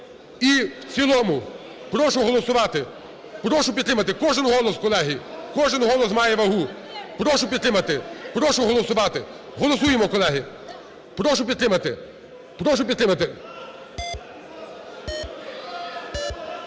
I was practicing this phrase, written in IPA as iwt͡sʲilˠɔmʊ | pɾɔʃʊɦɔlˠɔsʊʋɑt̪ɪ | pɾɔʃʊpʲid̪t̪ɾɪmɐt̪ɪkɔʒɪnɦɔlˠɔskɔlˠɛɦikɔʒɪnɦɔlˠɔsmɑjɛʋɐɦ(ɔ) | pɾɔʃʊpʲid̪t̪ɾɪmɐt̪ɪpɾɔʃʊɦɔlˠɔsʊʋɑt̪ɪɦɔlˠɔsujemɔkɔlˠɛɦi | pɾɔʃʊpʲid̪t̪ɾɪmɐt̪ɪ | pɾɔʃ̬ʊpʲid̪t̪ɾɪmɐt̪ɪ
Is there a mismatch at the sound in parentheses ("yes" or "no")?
yes